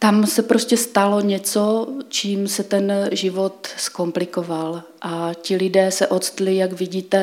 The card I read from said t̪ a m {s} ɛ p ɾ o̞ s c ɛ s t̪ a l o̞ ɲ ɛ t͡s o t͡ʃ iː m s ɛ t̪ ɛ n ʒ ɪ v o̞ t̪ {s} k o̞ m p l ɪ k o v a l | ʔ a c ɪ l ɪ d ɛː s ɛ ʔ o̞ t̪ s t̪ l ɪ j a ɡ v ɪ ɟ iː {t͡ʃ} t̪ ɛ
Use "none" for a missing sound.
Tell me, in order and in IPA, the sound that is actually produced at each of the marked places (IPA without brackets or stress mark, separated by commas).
s, s, none